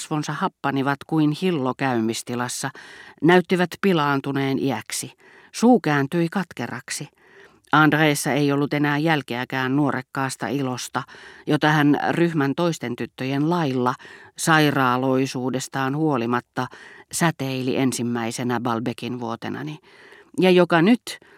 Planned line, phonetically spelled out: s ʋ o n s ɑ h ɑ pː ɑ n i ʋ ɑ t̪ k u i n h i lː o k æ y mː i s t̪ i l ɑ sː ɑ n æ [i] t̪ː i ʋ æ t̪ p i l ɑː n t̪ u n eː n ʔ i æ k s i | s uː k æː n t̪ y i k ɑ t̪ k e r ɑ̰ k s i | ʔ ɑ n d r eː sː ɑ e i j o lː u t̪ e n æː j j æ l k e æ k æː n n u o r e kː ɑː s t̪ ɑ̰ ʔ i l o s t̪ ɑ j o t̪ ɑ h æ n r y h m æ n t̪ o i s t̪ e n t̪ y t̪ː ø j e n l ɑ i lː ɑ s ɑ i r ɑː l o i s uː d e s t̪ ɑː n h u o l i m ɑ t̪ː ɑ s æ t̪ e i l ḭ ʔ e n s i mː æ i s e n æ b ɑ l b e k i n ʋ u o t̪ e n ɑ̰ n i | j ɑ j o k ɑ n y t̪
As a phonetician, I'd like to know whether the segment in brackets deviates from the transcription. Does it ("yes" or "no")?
yes